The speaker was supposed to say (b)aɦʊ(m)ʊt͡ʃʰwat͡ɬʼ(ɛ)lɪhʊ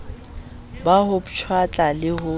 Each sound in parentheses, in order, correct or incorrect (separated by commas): correct, incorrect, incorrect